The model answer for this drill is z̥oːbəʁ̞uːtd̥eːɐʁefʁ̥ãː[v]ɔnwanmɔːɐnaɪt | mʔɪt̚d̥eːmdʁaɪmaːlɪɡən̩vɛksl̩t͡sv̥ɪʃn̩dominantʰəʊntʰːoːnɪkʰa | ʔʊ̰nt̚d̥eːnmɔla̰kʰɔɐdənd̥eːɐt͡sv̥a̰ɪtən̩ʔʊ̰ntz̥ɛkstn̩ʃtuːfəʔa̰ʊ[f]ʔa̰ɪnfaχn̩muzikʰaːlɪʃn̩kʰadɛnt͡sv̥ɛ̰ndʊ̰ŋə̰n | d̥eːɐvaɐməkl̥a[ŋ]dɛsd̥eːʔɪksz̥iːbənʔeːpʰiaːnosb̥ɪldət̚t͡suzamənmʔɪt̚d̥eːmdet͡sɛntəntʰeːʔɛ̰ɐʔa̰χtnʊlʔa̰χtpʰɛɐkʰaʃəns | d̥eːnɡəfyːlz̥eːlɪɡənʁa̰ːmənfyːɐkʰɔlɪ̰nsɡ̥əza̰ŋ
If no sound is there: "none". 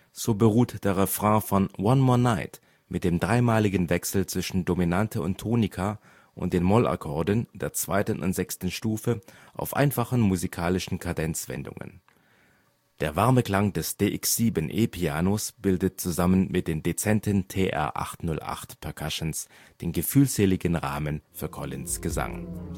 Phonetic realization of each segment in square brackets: f, f, ŋ

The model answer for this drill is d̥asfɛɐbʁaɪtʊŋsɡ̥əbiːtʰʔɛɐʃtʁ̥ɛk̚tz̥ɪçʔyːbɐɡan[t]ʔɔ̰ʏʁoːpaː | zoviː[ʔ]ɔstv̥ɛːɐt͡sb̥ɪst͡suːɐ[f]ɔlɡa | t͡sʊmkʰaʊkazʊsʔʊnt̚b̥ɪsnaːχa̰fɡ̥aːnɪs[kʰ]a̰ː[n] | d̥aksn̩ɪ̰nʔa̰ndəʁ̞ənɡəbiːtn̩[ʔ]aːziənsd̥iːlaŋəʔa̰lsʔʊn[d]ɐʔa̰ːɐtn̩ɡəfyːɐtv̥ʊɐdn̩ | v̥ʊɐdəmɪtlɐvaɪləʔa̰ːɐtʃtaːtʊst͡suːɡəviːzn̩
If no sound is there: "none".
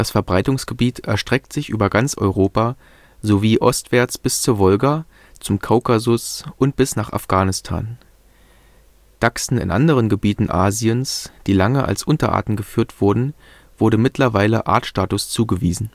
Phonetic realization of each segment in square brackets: t͡s, ʔ, v, tʰ, n, ʔ, t

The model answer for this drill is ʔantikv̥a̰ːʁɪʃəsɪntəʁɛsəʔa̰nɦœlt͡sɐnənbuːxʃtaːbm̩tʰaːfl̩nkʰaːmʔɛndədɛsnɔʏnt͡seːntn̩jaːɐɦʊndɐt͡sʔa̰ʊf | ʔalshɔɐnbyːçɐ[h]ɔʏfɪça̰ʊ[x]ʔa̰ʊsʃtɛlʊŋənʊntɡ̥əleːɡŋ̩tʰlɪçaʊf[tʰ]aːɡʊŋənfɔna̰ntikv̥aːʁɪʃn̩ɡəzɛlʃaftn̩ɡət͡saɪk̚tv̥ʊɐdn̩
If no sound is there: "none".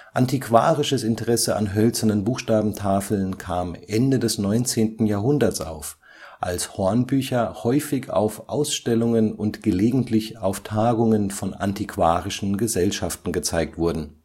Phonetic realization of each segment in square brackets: h, f, tʰ

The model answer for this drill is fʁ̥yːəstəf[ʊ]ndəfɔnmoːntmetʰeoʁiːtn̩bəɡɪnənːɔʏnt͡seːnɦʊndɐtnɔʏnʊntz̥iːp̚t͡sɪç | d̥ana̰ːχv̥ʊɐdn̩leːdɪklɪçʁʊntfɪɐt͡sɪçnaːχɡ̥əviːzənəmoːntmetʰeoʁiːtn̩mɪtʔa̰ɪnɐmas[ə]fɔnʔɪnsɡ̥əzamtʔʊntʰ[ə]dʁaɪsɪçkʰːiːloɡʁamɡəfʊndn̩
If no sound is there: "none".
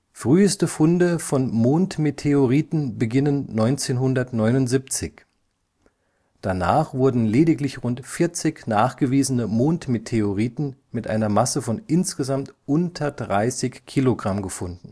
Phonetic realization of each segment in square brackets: ʊ, ə, ɐ

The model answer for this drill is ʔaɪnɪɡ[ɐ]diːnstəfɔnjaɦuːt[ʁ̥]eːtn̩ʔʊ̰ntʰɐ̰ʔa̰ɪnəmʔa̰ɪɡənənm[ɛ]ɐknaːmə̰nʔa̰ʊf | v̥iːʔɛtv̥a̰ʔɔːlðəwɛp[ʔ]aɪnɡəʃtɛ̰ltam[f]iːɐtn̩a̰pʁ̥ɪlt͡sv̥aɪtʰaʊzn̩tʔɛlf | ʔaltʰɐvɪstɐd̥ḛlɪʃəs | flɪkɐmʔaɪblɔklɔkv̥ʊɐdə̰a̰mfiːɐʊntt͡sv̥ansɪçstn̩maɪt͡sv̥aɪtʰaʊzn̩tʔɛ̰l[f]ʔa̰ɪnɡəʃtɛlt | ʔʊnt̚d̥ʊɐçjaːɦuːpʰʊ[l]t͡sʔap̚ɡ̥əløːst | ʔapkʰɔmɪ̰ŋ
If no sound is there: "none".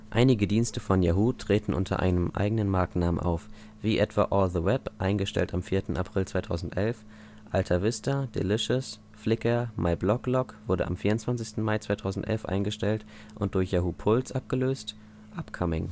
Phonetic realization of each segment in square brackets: ə, ʁ̥, a, ʔ, f, f, l

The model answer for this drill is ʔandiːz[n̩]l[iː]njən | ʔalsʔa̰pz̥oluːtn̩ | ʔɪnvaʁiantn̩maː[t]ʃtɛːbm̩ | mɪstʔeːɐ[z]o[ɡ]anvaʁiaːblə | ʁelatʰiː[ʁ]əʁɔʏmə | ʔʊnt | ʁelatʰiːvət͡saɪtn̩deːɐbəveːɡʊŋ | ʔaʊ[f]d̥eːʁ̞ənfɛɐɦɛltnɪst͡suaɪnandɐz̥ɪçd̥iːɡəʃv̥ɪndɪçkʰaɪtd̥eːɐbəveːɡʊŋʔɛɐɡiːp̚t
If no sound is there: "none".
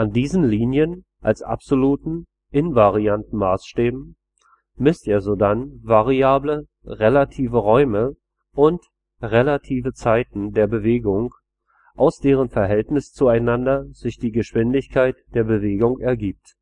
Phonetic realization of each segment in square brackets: n̩, iː, s, z, d, v, s

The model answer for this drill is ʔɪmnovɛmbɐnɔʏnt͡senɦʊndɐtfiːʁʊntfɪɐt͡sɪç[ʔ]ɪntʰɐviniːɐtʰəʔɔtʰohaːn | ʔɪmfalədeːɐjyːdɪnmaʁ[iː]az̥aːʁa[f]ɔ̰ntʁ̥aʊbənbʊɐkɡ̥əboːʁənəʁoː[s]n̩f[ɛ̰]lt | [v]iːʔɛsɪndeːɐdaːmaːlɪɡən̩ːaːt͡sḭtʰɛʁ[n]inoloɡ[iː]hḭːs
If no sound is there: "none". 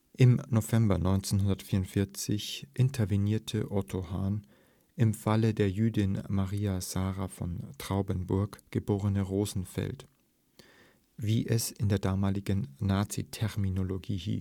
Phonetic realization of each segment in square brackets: ʔ, iː, f, z, ɛ̰, v, m, iː

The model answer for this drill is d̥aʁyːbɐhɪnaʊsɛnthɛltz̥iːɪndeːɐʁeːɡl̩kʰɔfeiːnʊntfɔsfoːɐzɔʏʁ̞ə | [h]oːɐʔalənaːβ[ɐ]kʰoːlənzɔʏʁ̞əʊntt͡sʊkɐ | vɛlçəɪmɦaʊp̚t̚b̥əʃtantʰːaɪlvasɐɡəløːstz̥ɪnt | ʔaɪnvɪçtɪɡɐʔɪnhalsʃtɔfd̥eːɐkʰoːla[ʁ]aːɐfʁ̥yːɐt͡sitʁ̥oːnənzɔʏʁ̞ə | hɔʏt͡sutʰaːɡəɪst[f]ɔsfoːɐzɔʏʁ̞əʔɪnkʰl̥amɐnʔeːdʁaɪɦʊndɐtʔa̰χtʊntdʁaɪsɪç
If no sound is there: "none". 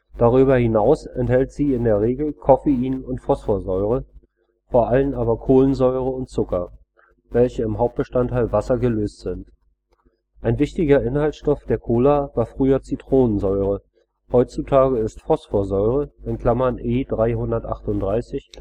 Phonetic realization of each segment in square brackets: f, ɐ, v, f

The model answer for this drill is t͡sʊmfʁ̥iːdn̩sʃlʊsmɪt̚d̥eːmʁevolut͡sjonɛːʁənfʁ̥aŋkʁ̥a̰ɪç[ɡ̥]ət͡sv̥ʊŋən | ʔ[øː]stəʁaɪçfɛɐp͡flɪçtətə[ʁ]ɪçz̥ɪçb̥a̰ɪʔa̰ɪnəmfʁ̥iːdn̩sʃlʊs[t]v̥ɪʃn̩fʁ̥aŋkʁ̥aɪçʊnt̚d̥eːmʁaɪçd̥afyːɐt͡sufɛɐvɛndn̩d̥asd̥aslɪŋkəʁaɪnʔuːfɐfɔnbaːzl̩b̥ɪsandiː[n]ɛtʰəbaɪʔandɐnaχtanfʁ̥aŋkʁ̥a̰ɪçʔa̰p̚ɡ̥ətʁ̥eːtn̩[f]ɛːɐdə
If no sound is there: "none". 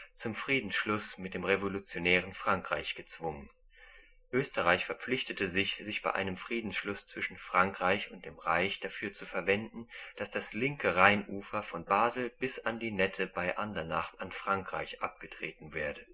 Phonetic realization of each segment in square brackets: ɡ̥, øː, z, t͡s, n, v

